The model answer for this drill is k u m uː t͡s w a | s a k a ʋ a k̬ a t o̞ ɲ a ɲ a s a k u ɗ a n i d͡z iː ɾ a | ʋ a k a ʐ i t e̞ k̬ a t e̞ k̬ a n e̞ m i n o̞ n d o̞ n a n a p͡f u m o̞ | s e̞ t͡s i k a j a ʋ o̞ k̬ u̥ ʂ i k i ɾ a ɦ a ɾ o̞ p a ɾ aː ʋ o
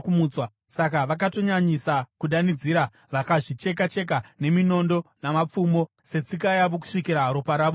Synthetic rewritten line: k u m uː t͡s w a | s a k a ʋ a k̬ a t o̞ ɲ a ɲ i s a k u ɗ a n i d͡z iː ɾ a | ʋ a k a ʐ i t͡ʃ e̞ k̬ a t͡ʃ e̞ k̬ a n e̞ m i n o̞ n d o̞ n a m a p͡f u m o̞ | s e̞ t͡s i k a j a ʋ o̞ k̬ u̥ ʂ i k i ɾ a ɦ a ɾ o̞ p a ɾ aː ʋ o